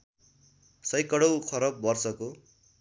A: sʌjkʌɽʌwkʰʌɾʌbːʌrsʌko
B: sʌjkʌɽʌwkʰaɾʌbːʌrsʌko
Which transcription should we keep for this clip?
A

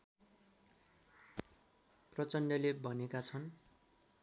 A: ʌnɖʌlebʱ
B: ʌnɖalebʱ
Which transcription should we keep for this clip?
A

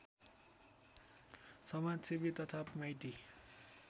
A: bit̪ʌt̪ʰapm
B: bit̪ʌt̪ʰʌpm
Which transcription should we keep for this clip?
A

